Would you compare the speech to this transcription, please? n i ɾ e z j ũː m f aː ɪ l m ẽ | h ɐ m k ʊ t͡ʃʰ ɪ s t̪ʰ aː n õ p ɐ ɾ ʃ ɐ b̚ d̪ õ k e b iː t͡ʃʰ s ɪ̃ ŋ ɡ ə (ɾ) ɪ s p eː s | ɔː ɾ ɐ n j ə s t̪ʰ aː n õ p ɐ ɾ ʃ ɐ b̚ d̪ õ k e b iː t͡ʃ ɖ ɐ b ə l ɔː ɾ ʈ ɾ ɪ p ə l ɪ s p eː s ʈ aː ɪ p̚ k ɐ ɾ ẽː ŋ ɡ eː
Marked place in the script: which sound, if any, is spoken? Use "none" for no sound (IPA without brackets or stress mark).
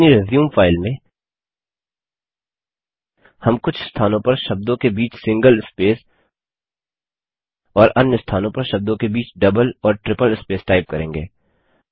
l